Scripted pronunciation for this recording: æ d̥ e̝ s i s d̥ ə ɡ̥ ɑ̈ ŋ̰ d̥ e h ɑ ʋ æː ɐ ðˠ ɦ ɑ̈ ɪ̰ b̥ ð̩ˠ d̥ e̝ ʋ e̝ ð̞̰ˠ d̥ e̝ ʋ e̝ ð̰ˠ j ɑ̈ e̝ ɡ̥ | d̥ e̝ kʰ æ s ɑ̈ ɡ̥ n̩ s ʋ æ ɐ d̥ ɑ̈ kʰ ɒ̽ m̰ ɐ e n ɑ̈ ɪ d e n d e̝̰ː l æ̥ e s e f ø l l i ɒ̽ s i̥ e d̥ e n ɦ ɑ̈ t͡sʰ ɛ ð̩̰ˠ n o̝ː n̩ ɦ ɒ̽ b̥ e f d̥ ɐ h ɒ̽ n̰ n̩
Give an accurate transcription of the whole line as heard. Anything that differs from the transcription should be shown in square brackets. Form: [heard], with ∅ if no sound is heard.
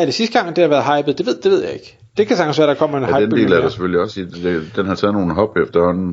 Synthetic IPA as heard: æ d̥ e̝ s i s d̥ ə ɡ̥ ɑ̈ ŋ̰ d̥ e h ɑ ʋ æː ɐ ðˠ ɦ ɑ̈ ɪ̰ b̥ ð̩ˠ d̥ e̝ ʋ e̝ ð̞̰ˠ d̥ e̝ ʋ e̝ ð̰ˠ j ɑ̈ e̝ ɡ̥ | d̥ e̝ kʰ æ s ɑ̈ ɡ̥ n̩ s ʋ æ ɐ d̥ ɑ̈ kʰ ɒ̽ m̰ ɐ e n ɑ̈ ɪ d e n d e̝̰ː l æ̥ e s e f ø l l i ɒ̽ s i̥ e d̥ e n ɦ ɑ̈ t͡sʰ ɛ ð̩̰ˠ n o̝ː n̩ ɦ ɒ̽ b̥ e f d̥ ɐ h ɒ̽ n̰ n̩